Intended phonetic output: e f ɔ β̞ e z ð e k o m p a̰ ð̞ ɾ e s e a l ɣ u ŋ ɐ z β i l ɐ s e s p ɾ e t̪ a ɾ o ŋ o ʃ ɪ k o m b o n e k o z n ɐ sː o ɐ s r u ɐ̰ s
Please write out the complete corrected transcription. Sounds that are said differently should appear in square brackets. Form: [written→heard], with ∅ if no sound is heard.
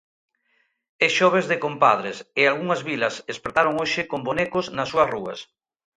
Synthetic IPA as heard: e [f→ʃ] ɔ β̞ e z ð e k o m p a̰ ð̞ ɾ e s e a l ɣ u ŋ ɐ z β i l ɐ s e s p ɾ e t̪ a ɾ o ŋ o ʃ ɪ k o m b o n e k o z n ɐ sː [o→u] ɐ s r u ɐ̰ s